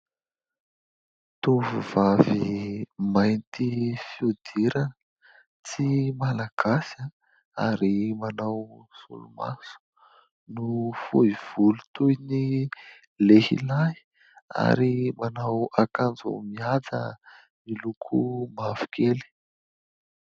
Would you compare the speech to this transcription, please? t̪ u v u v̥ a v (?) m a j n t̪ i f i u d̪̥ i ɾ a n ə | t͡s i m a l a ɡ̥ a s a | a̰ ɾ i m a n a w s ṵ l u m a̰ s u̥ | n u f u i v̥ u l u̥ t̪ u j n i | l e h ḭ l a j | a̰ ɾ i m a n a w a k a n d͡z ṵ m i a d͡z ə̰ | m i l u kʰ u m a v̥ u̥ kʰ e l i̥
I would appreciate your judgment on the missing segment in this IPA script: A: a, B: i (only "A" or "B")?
B